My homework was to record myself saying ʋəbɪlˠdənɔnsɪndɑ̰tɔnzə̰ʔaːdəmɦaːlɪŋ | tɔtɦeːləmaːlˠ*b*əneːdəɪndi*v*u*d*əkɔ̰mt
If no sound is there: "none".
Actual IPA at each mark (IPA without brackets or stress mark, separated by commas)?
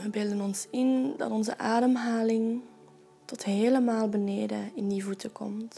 b, v, t